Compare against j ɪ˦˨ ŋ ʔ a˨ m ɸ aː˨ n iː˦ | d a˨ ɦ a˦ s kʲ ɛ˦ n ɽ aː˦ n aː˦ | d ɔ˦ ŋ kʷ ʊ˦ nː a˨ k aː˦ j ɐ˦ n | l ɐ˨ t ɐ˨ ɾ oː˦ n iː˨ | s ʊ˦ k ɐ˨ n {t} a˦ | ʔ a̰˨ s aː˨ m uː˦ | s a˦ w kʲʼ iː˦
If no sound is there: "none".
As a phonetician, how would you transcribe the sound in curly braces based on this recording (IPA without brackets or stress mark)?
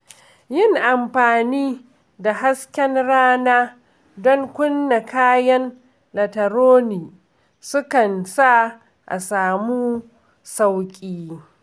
s